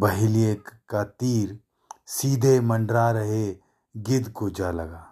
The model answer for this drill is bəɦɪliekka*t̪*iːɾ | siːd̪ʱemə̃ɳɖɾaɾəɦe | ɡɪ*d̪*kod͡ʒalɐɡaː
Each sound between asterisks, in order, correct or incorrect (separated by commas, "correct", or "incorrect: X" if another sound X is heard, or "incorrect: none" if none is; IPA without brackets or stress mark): correct, correct